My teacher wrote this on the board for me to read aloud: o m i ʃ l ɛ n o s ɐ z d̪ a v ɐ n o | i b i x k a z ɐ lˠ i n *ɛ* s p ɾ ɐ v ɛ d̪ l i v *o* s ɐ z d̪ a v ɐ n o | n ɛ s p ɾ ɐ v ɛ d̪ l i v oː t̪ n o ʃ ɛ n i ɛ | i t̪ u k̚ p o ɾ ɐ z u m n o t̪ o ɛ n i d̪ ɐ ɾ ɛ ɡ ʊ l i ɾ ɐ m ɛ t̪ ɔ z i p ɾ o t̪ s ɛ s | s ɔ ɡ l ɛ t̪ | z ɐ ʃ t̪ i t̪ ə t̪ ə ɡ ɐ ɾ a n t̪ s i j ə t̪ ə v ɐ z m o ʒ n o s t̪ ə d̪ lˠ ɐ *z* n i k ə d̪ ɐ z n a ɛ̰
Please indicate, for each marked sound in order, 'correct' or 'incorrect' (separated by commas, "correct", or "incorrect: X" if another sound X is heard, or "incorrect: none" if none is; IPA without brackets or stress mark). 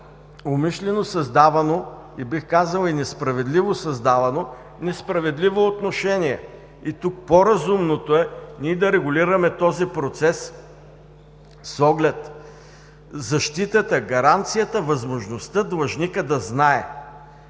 correct, correct, incorrect: ʒ